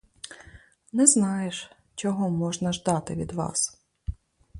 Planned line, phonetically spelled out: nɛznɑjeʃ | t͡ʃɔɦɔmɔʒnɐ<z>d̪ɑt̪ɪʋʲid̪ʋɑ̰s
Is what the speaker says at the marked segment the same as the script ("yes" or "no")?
no